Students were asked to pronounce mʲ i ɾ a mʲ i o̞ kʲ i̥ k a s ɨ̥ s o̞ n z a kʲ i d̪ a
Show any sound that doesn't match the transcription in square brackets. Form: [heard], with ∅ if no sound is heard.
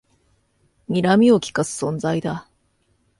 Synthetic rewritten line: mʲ i ɾ a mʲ i o̞ kʲ i̥ k a s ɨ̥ s [õ̞] n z a [∅] i d̪ a

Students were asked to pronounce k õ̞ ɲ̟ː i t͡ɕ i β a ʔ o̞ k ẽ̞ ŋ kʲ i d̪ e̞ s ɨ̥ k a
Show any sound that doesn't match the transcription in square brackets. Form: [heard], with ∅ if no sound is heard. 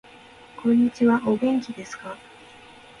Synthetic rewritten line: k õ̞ ɲ̟ː i t͡ɕ i β a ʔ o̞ [ɡ] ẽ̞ ŋ kʲ i d̪ e̞ s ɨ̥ k a

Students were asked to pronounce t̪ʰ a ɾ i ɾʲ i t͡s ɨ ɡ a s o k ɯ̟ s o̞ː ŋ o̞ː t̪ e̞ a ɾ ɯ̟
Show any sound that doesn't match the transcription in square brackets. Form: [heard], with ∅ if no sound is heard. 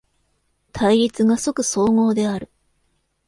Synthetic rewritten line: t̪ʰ a [∅] i ɾʲ i t͡s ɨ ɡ a s o k ɯ̟ s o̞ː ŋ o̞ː [d̪] e̞ a ɾ ɯ̟

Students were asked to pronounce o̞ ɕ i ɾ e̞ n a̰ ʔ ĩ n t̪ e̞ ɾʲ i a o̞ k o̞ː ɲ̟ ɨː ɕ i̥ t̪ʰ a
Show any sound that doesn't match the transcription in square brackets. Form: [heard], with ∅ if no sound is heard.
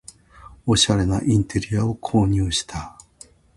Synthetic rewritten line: o̞ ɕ [a] ɾ e̞ n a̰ ʔ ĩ n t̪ e̞ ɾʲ i a o̞ [kʰ] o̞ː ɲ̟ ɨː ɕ i̥ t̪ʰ a

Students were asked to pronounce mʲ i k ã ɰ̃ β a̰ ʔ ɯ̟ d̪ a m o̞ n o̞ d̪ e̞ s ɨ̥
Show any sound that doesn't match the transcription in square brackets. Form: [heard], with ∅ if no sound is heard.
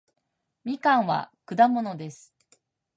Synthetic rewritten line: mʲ i k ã ɰ̃ β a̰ [k] ɯ̟ d̪ a m o̞ n o̞ d̪ e̞ s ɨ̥

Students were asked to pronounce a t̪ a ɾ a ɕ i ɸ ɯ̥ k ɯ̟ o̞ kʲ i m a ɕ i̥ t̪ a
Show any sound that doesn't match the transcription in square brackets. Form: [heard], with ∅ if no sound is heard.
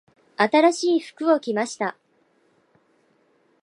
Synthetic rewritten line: a t̪ a ɾ a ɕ [iː] ɸ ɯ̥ k ɯ̟ o̞ kʲ i m a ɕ i̥ t̪ a

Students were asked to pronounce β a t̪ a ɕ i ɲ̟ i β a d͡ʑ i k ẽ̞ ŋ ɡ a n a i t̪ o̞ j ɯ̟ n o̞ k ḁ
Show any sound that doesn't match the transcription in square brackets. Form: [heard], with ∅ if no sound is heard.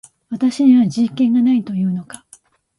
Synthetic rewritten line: β a t̪ a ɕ i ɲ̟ i β a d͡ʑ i k ẽ̞ ŋ ɡ a n a i t̪ o̞ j [ɯ̟ː] n o̞ k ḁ

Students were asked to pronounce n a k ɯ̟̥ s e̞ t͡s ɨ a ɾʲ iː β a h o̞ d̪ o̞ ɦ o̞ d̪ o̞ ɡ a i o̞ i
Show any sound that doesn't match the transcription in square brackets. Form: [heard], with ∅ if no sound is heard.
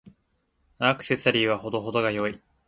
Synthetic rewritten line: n a k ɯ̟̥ s e̞ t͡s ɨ a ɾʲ iː β a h o̞ d̪ o̞ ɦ o̞ d̪ o̞ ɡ a [j] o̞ i

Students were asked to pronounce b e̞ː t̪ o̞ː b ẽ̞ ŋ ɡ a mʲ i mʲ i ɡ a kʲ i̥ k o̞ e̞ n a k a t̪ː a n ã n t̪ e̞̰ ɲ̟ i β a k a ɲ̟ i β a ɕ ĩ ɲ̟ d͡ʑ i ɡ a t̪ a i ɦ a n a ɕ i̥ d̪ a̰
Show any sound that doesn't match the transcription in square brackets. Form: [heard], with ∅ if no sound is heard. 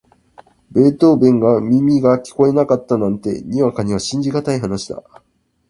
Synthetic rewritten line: b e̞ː t̪ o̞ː b ẽ̞ ŋ ɡ a mʲ i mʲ i ɡ a kʲ i̥ k o̞ e̞ n a k a t̪ː a n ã n t̪ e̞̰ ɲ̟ i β a k a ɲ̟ i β a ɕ ĩ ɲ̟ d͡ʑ i ɡ a t̪ a i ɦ a n a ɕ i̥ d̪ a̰

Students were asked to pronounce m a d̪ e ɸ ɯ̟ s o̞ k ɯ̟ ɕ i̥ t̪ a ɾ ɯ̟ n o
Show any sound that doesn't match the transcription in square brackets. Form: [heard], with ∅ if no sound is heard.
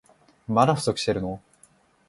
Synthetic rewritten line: m a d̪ [a] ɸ ɯ̟ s o̞ k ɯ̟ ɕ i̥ t̪ [e] ɾ ɯ̟ n o

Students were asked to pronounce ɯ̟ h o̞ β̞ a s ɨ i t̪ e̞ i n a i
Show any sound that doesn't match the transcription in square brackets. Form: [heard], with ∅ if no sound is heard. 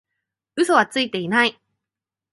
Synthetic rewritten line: ɯ̟ [s] o̞ β̞ a [t͡s] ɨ i t̪ e̞ i n a i

